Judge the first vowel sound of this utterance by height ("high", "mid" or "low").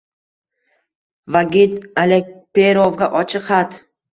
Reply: low